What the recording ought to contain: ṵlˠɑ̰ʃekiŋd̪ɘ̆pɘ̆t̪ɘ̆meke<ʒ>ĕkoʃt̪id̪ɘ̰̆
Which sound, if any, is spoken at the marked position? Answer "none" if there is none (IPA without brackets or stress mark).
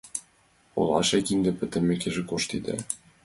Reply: ʒ